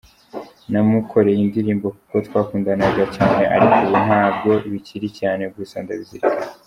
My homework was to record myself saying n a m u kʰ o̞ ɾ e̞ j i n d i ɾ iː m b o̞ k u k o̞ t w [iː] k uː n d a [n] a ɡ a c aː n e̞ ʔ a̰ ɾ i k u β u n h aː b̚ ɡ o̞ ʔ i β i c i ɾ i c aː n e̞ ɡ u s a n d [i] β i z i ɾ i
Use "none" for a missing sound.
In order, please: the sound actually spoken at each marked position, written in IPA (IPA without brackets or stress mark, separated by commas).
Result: aː, n, a